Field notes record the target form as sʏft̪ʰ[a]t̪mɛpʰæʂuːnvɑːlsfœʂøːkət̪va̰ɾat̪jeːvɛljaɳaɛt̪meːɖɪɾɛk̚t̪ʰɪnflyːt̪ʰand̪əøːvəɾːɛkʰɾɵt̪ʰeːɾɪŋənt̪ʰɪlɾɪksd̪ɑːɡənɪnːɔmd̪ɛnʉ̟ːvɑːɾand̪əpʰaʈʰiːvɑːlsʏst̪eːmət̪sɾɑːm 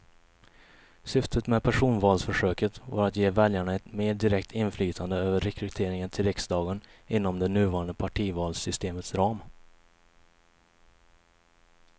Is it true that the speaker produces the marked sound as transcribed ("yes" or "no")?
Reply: no